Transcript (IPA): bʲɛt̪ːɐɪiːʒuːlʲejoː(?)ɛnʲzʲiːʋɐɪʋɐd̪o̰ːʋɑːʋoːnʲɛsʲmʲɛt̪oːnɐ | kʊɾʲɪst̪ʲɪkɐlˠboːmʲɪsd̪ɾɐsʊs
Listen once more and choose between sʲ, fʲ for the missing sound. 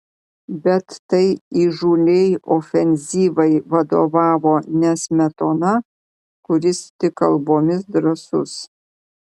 fʲ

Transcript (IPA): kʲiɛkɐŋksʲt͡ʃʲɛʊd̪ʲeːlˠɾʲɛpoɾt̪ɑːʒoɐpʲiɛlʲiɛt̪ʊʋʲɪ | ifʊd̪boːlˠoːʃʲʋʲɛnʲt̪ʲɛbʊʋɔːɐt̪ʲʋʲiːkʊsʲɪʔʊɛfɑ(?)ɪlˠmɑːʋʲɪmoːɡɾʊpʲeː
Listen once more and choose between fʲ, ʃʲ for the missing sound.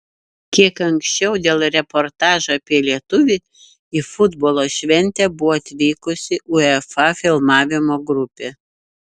fʲ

